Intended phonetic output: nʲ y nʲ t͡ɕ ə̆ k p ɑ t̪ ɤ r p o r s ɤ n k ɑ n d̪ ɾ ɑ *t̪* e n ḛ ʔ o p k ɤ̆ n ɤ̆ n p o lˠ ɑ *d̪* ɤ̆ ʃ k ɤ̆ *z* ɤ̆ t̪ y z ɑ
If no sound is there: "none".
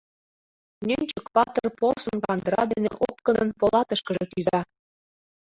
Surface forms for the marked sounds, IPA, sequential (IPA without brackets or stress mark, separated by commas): d̪, t̪, ʒ